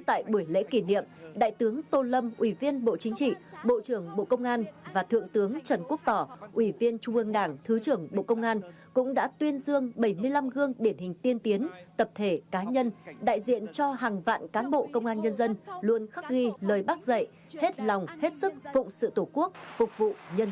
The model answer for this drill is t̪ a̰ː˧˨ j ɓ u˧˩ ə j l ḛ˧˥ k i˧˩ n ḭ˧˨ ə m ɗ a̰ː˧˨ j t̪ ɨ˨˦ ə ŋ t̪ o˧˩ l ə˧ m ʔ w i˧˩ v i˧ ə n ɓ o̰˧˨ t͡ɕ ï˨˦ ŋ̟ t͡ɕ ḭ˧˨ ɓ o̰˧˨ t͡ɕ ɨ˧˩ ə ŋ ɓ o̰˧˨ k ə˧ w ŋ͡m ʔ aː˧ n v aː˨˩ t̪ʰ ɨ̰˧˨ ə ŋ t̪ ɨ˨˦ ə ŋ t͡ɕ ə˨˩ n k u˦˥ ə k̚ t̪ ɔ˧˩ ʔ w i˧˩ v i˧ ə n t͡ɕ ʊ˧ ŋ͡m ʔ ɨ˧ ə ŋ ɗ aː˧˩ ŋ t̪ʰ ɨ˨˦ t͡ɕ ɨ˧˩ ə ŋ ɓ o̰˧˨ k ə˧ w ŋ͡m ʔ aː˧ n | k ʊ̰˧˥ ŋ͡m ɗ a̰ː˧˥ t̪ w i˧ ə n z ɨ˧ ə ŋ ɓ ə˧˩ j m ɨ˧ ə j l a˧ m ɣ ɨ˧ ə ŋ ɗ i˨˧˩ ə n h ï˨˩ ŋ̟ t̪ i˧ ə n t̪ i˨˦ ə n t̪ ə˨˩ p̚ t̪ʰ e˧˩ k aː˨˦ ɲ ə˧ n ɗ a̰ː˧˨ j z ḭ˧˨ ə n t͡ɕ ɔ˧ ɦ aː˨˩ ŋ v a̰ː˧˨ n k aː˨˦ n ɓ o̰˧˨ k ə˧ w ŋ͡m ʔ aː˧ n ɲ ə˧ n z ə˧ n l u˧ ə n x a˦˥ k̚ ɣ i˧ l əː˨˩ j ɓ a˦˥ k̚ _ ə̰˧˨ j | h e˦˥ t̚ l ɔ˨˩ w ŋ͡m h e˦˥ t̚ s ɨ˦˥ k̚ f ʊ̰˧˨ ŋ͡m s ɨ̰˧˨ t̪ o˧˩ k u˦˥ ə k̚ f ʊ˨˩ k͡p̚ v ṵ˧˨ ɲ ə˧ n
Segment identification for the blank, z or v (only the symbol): z